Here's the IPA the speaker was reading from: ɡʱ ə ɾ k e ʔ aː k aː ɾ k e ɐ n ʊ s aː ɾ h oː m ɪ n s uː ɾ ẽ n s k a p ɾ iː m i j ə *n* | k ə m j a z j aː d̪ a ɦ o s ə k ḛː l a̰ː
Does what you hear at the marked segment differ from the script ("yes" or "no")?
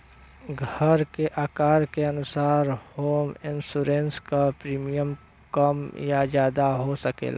yes